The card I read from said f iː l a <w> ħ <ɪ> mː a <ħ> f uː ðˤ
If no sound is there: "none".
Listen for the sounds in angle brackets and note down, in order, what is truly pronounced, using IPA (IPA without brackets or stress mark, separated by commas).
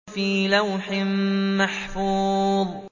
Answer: w, ɪ, ħ